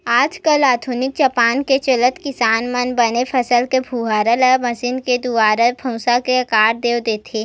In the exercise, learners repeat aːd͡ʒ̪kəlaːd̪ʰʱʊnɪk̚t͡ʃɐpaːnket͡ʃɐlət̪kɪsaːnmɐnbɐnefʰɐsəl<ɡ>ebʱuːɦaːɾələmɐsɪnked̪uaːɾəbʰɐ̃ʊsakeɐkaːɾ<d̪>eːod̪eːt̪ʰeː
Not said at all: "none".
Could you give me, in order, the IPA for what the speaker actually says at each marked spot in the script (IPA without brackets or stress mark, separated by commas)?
k, d̪